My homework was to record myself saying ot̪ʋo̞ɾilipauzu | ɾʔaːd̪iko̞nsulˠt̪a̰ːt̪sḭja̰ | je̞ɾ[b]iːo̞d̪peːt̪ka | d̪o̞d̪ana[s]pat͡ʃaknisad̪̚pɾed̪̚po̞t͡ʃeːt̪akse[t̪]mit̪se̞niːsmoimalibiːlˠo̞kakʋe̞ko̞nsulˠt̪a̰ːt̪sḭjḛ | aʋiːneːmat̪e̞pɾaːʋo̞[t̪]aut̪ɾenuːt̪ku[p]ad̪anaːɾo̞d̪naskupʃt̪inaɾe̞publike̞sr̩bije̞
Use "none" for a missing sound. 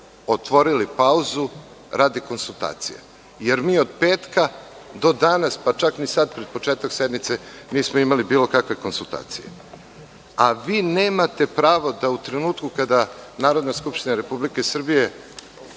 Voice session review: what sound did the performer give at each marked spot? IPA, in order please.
m, s, d̪, d̪, k

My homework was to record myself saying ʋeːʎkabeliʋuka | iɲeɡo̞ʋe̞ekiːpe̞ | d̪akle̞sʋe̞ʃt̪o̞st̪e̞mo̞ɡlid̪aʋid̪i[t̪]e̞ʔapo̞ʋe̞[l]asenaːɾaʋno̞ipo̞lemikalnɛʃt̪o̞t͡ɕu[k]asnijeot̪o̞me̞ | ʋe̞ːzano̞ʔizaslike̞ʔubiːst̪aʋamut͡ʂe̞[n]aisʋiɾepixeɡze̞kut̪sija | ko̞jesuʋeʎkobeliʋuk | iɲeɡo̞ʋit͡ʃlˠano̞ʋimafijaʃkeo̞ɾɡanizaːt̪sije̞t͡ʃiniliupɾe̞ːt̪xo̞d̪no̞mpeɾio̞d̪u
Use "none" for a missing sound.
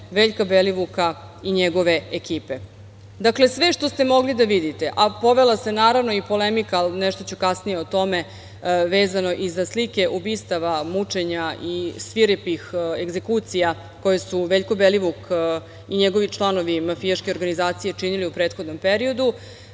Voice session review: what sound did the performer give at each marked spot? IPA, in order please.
t̪, l, k, ɲ

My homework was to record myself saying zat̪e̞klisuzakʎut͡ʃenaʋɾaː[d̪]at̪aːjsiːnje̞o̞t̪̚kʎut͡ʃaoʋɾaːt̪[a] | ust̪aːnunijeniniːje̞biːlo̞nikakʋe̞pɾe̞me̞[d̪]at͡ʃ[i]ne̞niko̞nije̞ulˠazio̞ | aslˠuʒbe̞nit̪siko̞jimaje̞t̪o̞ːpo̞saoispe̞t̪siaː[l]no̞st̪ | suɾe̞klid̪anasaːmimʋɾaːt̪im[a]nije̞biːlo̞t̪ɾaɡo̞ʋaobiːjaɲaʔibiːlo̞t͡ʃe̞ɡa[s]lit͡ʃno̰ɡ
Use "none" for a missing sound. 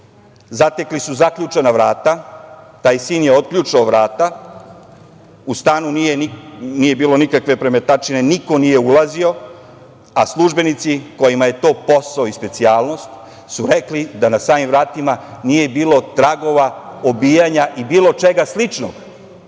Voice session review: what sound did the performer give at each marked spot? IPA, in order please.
t̪, a, t̪, i, l, a, s

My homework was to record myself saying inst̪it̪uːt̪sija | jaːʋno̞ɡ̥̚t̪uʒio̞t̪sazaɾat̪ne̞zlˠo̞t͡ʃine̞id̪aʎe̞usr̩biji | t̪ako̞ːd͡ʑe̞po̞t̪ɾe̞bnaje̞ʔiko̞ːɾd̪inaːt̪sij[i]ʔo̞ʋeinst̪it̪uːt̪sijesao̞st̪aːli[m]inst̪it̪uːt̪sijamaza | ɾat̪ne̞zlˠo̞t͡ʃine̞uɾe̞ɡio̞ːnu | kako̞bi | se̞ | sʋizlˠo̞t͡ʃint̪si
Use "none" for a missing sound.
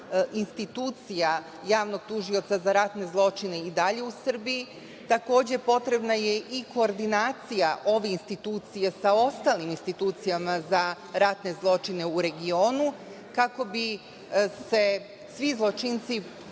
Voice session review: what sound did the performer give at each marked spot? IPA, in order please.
a, m

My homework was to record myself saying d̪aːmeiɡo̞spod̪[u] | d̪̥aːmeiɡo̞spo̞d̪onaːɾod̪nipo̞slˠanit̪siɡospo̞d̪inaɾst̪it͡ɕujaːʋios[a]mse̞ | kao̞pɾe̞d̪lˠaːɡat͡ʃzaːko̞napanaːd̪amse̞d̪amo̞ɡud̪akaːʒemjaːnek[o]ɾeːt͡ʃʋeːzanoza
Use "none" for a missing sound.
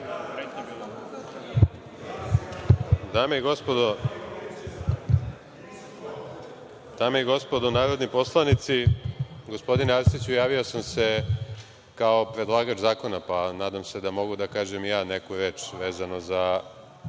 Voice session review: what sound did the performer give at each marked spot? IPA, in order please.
o, a, u

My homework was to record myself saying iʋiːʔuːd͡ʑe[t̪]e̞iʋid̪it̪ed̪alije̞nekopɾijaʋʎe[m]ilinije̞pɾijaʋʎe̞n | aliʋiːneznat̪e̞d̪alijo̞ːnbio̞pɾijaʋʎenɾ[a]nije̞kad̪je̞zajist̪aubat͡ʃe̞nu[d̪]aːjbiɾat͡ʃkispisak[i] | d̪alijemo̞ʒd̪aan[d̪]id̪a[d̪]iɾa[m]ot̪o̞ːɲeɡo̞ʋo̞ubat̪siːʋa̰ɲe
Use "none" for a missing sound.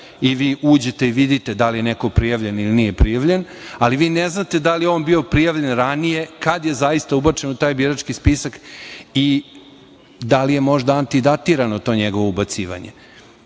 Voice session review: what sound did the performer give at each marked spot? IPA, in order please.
t̪, n, a, t̪, i, t̪, t̪, n

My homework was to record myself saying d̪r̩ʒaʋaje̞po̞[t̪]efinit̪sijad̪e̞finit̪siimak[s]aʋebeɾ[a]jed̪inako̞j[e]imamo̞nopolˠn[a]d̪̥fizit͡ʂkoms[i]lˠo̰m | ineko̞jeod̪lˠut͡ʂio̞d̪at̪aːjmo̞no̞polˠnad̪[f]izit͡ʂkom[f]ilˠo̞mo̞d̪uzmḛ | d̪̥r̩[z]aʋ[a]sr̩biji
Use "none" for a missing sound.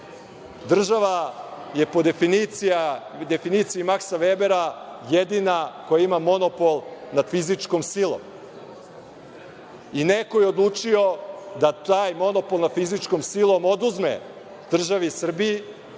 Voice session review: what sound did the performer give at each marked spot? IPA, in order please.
d̪, s, a, a, a, i, f, s, ʒ, i

